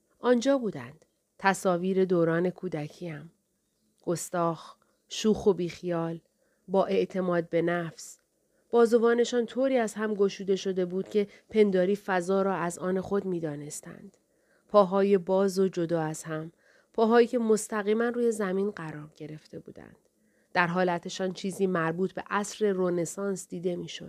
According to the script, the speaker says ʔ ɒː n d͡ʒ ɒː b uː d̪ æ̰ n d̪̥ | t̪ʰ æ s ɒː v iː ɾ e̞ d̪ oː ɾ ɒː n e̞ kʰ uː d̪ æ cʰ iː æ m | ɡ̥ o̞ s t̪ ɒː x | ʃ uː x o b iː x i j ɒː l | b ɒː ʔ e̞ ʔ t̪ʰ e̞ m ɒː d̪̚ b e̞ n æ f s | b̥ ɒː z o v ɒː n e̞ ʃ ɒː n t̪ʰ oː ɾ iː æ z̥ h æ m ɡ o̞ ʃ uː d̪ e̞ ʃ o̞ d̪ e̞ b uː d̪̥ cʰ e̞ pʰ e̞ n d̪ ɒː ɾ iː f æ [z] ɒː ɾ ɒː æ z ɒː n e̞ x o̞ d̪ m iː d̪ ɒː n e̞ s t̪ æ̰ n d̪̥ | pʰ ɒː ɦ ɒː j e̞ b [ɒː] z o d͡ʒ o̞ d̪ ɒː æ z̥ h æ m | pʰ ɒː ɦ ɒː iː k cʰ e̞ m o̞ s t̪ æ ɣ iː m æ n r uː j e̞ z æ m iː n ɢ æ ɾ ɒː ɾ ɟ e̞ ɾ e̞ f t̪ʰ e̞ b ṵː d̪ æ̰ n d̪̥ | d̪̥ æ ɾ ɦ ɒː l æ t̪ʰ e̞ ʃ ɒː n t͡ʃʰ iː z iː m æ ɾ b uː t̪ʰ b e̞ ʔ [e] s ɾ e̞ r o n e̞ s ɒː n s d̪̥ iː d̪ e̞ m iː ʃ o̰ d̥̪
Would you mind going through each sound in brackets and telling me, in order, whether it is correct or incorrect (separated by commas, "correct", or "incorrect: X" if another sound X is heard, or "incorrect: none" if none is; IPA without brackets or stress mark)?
correct, correct, incorrect: æ